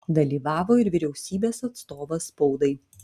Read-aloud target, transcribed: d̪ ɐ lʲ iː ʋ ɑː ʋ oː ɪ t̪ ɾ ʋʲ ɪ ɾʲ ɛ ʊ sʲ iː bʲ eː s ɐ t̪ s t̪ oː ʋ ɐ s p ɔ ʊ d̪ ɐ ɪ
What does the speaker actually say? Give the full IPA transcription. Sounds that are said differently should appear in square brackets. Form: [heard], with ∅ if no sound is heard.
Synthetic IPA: d̪ ɐ lʲ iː ʋ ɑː ʋ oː ɪ [∅] ɾ ʋʲ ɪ ɾʲ ɛ ʊ sʲ iː bʲ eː s ɐ t̪ s t̪ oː ʋ ɐ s p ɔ ʊ d̪ ɐ ɪ